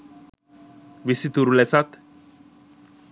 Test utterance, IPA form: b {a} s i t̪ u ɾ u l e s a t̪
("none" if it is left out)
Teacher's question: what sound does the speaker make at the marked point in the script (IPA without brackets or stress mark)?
i